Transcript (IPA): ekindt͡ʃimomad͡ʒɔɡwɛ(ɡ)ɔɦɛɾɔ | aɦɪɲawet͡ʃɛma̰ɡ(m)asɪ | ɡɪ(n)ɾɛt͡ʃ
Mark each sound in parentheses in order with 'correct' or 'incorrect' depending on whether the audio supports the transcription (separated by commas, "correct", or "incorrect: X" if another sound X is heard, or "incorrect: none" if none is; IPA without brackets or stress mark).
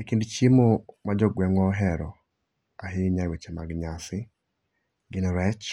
incorrect: ŋ, incorrect: ɲ, correct